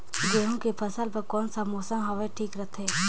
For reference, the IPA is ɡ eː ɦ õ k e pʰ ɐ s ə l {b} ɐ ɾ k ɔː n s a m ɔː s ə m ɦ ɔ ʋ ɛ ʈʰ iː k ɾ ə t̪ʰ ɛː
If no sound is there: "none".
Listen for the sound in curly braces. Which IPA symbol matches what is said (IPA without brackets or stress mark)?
p